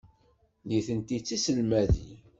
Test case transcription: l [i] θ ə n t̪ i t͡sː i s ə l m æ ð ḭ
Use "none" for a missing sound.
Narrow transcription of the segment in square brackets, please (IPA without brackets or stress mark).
i